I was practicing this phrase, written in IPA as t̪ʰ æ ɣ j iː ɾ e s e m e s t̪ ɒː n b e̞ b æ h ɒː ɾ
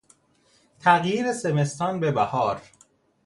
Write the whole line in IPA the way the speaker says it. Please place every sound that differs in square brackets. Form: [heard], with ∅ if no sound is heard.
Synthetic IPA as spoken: t̪ʰ æ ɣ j iː ɾ e s e m e s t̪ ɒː n b e̞ b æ h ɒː ɾ